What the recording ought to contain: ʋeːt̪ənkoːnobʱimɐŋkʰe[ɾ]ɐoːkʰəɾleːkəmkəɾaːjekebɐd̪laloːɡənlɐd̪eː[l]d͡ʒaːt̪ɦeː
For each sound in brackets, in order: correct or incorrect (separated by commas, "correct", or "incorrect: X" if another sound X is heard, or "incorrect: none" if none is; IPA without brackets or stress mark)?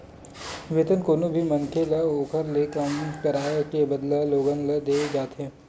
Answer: incorrect: l, incorrect: none